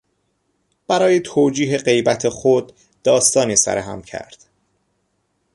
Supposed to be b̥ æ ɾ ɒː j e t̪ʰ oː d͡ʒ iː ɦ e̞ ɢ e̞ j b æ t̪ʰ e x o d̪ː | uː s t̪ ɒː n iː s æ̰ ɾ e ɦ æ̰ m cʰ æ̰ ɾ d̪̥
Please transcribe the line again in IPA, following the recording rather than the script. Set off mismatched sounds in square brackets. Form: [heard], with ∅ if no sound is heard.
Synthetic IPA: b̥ æ ɾ ɒː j e t̪ʰ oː d͡ʒ iː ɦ e̞ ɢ e̞ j b æ t̪ʰ e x o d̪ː | [ɒː] s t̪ ɒː n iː s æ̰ ɾ e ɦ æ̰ m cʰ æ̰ ɾ d̪̥